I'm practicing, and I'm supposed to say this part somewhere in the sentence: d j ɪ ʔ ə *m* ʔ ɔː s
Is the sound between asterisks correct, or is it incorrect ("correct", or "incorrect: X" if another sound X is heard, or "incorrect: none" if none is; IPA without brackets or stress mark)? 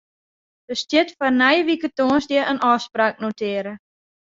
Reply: incorrect: n